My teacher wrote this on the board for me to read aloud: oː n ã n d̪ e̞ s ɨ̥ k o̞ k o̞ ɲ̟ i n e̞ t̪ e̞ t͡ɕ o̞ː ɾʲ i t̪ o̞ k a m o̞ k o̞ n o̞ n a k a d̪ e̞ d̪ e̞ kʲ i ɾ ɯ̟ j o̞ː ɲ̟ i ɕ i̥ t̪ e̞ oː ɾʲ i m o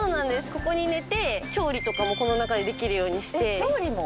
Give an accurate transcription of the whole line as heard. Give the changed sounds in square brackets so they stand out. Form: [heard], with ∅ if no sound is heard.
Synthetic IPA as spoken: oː n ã n d̪ e̞ s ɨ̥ k o̞ k o̞ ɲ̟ i n e̞ t̪ e̞ t͡ɕ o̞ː ɾʲ i t̪ o̞ k a m o̞ k o̞ n o̞ n a k a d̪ e̞ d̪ e̞ kʲ i ɾ ɯ̟ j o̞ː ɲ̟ i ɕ i̥ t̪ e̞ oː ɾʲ i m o